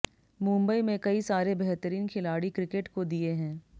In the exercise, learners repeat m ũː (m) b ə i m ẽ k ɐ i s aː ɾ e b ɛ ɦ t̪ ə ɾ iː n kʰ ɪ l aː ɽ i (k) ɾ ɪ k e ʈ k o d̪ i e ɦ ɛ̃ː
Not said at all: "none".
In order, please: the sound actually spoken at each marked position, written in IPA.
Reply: m, k

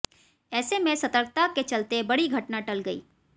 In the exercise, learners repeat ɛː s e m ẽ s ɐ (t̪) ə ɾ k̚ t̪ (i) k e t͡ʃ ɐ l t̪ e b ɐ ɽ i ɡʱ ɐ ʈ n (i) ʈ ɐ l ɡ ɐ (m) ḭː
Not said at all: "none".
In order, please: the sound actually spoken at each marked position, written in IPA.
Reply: t̪, a, a, none

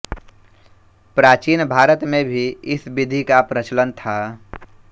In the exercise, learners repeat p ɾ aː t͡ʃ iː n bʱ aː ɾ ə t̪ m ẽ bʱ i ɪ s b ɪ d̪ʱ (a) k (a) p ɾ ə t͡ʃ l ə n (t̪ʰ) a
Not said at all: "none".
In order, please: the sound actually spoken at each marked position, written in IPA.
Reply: i, a, t̪ʰ

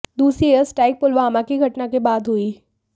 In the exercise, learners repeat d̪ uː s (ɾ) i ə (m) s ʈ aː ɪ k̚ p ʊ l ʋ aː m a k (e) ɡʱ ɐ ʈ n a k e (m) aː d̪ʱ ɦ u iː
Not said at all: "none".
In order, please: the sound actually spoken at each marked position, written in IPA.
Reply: ɾ, none, i, b

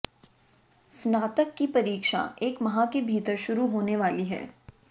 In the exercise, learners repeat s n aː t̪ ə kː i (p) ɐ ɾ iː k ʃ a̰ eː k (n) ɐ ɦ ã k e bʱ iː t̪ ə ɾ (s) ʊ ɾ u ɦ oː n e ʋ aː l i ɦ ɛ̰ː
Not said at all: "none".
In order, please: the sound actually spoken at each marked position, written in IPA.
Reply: p, m, ʃ

